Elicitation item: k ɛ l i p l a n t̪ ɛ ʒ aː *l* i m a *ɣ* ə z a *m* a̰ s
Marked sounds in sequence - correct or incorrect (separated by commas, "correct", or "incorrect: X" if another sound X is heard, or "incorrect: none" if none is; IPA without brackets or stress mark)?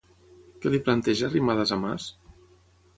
incorrect: r, incorrect: ð, correct